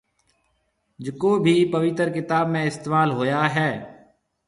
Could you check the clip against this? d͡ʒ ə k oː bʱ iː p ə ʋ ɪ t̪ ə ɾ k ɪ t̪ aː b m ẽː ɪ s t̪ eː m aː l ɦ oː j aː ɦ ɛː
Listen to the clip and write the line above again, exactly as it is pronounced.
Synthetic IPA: d͡ʒ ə k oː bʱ iː p ə ʋ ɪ t̪ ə ɾ k ɪ t̪ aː b m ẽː ɪ s t̪ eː m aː l ɦ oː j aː ɦ ɛː